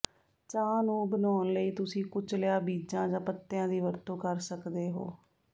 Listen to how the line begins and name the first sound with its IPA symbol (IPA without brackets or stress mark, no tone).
t͡ʃ